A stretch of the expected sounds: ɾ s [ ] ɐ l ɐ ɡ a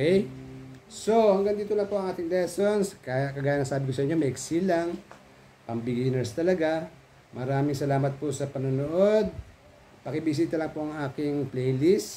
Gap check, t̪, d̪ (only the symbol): t̪